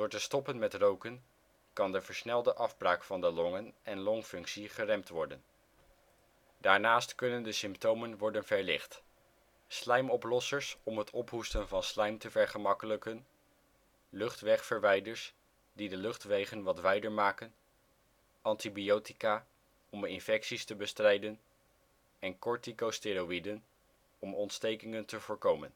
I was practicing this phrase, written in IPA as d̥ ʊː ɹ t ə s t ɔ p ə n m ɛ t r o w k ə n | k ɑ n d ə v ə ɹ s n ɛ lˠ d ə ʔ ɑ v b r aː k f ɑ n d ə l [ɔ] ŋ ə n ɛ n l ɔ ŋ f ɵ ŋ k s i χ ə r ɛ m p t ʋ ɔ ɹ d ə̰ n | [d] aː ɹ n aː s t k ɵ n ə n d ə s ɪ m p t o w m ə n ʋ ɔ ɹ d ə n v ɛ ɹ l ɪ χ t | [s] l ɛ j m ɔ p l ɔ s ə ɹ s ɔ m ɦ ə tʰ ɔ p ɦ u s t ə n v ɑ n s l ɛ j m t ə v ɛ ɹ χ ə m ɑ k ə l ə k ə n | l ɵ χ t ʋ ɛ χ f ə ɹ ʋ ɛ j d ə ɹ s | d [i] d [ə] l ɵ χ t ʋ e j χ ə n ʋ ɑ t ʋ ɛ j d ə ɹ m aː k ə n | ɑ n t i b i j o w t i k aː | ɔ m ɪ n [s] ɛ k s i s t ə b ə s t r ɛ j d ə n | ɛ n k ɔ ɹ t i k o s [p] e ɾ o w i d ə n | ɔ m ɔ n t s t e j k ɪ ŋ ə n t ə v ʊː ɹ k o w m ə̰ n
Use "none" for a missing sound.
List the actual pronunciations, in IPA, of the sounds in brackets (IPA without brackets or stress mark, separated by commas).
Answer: ɔ, d, s, i, ə, f, t